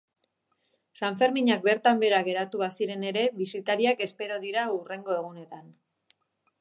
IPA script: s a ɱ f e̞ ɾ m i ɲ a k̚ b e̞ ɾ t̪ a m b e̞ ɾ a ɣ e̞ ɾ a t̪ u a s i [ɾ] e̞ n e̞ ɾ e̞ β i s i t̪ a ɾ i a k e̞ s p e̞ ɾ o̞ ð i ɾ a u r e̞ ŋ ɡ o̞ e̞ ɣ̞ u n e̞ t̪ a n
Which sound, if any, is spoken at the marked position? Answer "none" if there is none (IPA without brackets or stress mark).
ɾ